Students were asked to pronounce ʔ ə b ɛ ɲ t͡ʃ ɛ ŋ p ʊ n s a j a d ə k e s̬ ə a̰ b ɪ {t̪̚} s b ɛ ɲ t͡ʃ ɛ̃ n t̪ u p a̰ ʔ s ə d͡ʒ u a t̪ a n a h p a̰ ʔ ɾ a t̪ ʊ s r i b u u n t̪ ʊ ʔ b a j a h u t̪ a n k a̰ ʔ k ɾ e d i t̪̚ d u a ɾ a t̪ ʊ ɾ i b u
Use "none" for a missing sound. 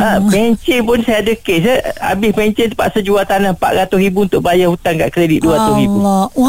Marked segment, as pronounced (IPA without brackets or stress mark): none